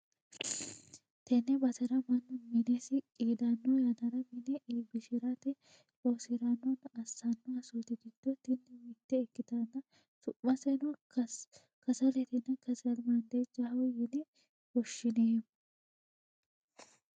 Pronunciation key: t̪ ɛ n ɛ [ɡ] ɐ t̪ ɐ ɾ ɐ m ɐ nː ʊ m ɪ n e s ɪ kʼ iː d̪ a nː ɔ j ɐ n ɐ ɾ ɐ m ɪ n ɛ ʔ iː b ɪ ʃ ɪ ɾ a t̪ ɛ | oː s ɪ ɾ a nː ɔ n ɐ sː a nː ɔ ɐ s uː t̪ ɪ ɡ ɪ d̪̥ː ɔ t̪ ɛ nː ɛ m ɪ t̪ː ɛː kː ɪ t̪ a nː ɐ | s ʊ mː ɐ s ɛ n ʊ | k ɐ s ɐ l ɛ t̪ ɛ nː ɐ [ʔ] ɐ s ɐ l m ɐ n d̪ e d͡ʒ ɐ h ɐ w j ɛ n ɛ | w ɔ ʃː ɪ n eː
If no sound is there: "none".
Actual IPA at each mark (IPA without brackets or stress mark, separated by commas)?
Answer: b, k